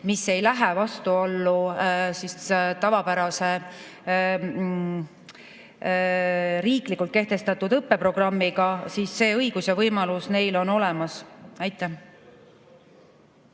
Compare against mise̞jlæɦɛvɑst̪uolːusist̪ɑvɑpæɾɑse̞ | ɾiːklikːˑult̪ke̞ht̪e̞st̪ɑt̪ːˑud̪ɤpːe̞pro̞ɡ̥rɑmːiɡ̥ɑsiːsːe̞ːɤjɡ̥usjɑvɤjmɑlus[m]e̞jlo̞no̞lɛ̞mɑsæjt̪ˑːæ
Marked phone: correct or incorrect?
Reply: incorrect